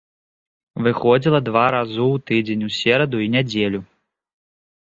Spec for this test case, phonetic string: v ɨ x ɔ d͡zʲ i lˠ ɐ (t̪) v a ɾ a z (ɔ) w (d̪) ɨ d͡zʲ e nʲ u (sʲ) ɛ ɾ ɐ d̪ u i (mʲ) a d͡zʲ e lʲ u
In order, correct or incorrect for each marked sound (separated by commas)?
incorrect, incorrect, incorrect, correct, incorrect